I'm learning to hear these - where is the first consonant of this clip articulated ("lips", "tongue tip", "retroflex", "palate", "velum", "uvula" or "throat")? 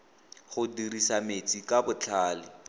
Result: uvula